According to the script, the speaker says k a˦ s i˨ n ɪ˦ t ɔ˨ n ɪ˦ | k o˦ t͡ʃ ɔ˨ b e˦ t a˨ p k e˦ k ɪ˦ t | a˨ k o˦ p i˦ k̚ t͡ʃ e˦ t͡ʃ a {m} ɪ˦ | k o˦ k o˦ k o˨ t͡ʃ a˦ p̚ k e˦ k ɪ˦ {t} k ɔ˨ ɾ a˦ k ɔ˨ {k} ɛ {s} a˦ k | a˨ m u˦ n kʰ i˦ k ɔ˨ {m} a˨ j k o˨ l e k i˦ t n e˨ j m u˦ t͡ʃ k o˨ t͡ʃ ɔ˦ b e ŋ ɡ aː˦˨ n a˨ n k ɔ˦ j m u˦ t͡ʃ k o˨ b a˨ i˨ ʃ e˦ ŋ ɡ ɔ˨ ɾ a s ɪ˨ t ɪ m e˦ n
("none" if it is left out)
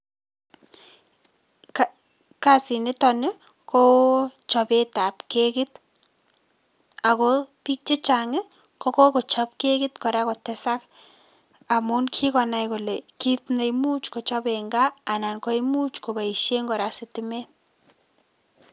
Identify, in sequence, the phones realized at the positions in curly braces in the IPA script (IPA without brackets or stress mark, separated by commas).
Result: ŋ, t, t, s, n